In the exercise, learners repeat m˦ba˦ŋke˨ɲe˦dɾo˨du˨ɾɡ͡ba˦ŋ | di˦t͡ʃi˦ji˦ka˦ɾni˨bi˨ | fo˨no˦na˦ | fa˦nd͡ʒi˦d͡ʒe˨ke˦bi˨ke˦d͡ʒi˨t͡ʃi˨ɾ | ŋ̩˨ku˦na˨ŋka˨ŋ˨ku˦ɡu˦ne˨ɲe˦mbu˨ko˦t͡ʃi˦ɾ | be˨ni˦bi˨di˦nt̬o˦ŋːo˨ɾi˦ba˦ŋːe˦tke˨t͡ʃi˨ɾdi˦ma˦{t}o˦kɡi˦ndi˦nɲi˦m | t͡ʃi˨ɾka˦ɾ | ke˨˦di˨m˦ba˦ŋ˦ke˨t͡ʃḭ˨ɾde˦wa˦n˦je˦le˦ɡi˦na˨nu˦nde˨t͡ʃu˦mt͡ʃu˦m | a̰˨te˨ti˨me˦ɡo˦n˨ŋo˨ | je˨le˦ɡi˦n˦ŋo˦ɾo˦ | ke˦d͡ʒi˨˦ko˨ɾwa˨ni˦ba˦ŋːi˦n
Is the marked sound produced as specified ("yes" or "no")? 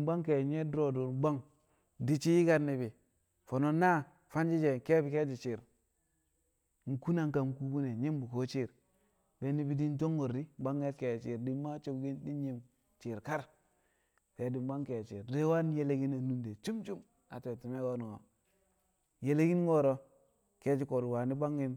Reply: no